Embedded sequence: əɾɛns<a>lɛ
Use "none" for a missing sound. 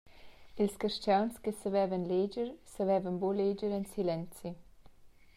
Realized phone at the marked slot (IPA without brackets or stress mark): i